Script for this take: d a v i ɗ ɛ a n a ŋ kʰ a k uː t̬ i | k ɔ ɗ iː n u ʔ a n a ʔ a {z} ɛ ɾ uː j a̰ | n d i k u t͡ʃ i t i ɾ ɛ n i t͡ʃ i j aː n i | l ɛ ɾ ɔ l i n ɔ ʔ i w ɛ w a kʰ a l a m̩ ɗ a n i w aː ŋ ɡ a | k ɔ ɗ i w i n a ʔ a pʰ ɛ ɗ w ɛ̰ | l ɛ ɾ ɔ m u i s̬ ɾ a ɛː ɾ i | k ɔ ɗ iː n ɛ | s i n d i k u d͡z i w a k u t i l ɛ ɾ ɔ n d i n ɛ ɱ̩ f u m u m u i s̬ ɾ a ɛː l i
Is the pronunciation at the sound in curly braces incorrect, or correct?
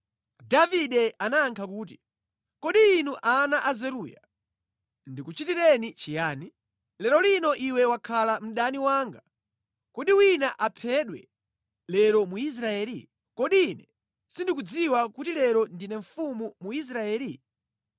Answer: correct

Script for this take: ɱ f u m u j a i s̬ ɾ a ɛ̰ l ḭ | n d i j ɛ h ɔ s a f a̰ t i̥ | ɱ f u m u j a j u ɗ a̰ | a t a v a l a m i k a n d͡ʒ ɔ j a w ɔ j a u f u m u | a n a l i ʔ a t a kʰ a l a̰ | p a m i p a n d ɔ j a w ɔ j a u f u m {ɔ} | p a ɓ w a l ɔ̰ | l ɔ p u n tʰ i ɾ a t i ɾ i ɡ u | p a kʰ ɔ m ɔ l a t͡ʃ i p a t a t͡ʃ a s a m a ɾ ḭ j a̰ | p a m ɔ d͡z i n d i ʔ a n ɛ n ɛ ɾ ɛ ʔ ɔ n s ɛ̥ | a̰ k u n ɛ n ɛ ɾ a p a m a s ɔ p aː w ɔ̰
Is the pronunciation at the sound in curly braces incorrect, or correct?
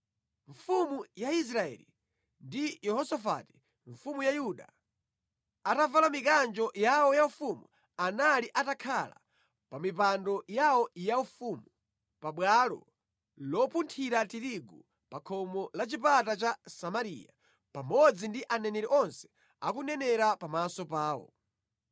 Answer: incorrect: u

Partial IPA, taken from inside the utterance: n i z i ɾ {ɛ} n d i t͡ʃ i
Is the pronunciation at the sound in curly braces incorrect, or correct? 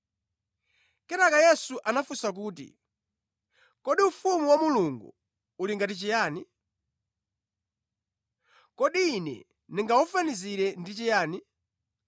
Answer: correct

